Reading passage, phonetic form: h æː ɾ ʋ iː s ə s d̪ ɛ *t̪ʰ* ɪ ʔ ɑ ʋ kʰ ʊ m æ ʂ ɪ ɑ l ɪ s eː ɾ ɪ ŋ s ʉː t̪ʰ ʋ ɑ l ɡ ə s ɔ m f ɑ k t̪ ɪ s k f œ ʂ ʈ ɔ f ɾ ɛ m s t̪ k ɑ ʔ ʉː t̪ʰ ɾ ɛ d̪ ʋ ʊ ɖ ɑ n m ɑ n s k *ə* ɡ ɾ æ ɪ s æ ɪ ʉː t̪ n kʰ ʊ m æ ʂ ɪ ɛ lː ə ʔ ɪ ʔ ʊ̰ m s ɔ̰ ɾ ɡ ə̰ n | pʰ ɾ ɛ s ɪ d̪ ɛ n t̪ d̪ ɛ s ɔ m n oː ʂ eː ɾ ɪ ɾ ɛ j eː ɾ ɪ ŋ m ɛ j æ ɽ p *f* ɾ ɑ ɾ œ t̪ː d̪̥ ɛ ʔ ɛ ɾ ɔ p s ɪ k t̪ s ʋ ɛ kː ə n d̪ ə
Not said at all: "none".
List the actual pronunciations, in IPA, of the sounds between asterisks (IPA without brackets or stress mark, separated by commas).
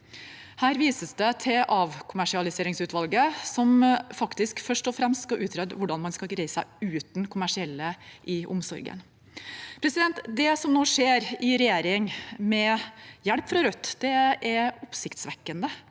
t̪ʰ, ɑ, f